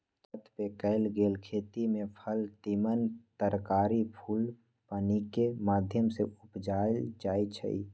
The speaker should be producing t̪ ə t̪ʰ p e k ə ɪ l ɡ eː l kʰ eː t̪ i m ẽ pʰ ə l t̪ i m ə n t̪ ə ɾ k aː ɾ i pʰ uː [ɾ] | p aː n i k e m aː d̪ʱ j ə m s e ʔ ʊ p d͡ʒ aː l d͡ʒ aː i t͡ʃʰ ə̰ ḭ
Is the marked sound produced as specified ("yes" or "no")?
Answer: no